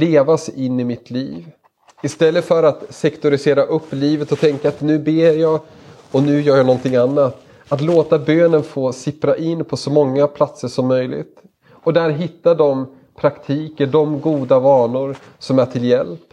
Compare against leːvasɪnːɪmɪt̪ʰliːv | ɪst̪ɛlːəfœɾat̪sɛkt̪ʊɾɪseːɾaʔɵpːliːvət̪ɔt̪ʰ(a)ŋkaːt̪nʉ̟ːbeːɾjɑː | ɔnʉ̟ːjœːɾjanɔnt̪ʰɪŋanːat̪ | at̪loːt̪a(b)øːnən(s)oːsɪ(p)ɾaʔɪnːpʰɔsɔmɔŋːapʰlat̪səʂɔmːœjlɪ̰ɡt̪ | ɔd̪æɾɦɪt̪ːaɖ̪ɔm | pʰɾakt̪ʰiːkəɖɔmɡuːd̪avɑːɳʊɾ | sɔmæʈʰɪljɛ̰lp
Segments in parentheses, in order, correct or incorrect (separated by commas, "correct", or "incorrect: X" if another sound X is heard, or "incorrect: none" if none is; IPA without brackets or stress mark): incorrect: ɛ, correct, incorrect: f, correct